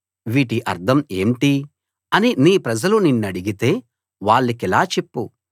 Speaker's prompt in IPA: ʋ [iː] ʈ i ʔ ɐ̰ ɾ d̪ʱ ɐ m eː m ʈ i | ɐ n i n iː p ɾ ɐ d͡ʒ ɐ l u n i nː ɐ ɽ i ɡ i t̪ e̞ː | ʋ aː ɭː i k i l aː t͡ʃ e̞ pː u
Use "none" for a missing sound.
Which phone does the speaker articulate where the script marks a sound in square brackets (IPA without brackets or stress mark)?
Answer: iː